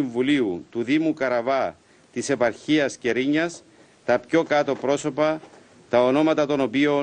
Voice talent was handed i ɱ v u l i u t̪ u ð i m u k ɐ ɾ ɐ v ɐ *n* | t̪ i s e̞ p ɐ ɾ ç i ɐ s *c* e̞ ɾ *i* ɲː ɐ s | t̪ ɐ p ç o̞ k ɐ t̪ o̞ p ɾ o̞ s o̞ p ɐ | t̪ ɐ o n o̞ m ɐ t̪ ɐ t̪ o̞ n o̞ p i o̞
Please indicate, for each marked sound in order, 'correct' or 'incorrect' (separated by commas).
incorrect, correct, correct